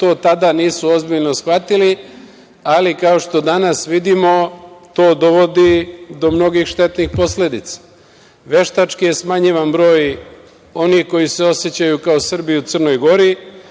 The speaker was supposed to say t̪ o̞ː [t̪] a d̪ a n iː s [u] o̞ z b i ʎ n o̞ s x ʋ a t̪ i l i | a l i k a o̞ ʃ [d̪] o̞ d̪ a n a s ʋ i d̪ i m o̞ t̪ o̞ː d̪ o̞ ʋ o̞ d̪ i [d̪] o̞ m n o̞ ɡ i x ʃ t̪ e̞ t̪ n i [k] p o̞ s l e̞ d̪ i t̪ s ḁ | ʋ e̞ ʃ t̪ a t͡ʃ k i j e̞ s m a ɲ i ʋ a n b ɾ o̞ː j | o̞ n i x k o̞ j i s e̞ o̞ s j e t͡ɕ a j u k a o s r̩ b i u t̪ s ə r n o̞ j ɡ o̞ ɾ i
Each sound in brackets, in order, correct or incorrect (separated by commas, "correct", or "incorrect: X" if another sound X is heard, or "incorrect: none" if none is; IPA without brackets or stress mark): correct, correct, incorrect: t̪, correct, incorrect: x